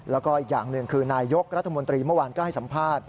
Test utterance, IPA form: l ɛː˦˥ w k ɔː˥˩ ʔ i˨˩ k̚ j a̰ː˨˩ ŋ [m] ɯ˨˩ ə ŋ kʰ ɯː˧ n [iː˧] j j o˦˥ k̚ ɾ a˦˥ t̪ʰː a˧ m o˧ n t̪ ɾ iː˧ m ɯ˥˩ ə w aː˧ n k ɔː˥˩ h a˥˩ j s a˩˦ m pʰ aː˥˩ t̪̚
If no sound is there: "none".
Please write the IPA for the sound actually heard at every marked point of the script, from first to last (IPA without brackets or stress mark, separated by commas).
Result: n, aː˧